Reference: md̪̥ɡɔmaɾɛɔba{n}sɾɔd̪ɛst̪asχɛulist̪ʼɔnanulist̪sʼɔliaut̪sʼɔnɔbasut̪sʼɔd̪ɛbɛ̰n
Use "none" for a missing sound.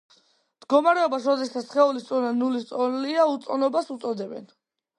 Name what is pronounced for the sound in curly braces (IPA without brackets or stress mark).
none